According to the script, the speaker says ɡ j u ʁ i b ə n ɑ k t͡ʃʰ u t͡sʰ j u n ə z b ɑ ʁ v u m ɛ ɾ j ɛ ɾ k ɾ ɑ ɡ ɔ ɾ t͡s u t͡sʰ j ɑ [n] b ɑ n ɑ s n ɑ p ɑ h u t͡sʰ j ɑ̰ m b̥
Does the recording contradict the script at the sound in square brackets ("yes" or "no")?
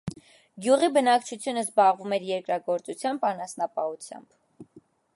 yes